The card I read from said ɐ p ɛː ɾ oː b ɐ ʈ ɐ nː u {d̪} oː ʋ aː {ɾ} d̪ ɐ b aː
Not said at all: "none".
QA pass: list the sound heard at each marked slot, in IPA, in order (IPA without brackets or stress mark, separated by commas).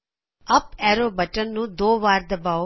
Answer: d̪, ɾ